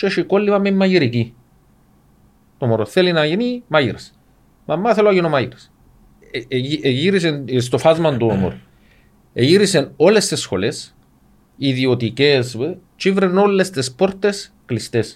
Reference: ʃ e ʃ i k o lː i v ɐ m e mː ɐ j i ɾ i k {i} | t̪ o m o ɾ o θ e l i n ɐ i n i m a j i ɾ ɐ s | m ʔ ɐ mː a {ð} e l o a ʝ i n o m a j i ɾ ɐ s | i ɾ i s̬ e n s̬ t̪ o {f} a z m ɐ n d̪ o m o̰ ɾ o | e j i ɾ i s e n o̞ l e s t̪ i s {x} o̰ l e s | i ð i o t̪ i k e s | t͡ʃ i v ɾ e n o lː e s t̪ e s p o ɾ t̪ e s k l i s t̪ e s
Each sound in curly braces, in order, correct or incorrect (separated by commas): correct, incorrect, correct, correct